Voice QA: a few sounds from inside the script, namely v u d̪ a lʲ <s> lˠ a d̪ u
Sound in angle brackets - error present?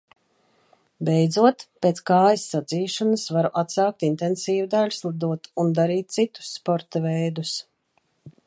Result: no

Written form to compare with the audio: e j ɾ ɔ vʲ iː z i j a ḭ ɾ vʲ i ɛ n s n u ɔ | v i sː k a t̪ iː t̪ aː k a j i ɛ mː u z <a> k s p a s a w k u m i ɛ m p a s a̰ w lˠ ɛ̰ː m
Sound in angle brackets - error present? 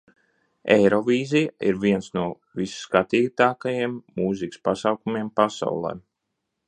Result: yes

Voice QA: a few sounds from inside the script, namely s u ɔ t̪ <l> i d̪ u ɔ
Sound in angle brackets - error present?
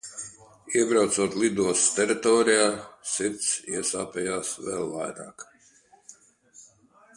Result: no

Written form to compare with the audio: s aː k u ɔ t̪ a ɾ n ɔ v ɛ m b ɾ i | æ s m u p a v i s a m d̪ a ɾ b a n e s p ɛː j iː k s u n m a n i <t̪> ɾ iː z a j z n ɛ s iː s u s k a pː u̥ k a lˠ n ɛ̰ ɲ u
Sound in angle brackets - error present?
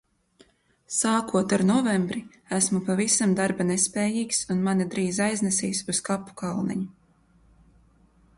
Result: yes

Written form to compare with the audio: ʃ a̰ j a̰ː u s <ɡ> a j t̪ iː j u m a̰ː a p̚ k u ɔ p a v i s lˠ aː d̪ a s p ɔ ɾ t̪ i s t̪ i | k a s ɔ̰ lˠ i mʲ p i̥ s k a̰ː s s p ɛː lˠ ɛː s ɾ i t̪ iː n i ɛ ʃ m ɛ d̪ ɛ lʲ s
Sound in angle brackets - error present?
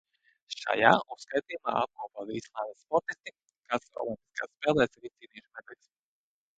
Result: yes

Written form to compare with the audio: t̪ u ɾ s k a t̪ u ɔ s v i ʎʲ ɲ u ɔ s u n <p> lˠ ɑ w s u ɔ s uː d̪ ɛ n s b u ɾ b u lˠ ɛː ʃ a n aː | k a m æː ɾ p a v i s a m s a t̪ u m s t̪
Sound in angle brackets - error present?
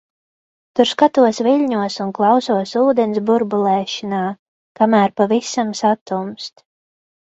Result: yes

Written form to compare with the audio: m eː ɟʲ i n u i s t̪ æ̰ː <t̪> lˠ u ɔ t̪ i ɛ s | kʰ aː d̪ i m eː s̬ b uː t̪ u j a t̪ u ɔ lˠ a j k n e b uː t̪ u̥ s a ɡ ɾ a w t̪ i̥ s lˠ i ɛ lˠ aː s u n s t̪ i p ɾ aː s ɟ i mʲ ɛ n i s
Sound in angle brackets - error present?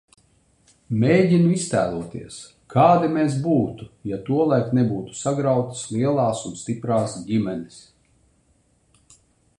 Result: yes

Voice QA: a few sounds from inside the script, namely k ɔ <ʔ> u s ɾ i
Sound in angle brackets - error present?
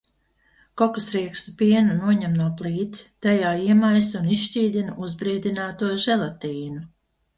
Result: yes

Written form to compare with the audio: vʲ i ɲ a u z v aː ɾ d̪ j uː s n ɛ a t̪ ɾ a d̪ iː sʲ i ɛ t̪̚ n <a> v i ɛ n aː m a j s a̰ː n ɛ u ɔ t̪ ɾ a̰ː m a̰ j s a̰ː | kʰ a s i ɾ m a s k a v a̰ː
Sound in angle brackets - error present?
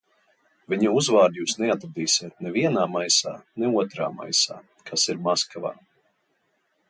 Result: yes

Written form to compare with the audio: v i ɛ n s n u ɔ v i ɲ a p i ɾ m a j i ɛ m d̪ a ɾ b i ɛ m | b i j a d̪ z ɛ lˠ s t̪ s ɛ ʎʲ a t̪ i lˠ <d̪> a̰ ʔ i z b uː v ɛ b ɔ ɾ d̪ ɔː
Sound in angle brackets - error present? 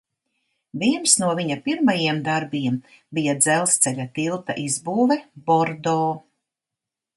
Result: yes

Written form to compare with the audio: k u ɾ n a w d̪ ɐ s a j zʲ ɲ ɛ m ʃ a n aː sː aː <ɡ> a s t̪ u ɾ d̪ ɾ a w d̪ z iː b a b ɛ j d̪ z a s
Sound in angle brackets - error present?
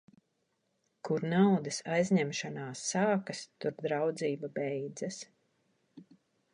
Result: yes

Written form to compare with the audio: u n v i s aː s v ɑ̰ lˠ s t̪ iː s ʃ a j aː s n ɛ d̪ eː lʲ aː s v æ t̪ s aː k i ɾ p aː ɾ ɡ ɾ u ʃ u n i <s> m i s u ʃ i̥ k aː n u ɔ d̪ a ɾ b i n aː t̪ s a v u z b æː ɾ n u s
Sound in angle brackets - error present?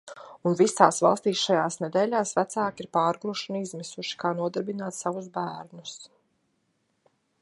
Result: yes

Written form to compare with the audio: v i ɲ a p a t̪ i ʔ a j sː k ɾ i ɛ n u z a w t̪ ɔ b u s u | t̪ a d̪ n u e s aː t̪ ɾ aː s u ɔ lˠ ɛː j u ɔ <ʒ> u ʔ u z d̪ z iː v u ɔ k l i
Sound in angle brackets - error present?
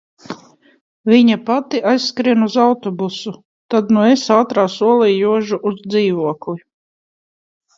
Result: no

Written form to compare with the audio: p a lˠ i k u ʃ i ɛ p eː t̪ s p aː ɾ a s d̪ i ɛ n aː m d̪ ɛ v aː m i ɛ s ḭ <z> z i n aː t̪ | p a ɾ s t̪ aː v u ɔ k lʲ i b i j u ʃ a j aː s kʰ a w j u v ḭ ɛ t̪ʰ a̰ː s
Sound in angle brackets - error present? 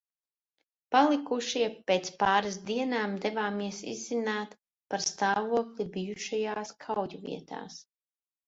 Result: no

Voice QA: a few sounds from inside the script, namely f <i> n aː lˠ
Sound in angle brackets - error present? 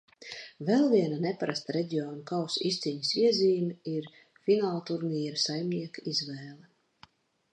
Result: no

